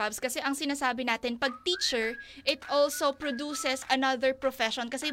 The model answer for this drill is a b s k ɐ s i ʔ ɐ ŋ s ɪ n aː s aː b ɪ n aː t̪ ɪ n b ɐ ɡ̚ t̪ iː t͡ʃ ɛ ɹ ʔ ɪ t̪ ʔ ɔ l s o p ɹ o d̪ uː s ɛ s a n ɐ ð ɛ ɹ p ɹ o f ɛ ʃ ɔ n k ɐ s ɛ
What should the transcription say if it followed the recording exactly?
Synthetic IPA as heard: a b s k ɐ s ɛ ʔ ɐ ŋ s ɪ n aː s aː b ɪ n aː t̪ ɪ n p ɐ ɡ̚ t̪ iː t͡ʃ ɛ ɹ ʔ ɪ t̪ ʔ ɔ l s o p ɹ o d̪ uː s ɛ s ɐ n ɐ ð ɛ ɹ p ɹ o f ɛ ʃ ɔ n k ɐ s ɛ